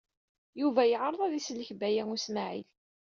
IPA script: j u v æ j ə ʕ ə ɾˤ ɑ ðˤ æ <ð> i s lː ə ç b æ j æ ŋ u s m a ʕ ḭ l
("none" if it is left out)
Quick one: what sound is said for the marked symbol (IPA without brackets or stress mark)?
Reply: ð